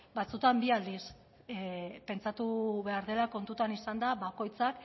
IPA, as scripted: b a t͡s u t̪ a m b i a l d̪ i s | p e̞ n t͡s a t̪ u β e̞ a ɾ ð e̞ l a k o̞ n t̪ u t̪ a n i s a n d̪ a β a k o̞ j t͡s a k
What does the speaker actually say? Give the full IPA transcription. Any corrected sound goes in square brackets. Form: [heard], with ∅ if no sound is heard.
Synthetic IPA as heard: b a t͡s u t̪ a m b i a l d̪ i s | p e̞ n t͡s a t̪ u β e̞ a ɾ ð e̞ l a k o̞ n t̪ u t̪ a n i s a n d̪ a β a k o̞ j t͡s a k